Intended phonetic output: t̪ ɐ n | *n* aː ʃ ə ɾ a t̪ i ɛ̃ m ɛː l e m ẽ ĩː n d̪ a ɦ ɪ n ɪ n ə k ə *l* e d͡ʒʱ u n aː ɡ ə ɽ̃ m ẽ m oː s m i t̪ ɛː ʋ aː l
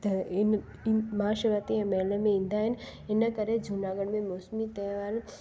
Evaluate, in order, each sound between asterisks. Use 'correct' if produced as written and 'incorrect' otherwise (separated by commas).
incorrect, incorrect